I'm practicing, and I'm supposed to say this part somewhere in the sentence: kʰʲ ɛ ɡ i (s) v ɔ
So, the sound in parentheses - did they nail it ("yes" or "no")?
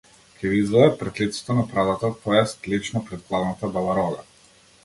no